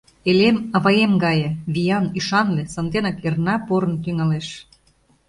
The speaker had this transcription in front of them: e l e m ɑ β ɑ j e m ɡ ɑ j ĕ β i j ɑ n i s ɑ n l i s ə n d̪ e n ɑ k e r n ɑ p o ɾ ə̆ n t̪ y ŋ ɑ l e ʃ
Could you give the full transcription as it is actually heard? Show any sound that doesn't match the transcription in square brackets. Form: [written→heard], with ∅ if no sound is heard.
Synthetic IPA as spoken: e l e m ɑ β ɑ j e m ɡ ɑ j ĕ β i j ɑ n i [s→ʃ] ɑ n l [i→e] s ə n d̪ e n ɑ k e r n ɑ p o ɾ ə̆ n t̪ y ŋ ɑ l e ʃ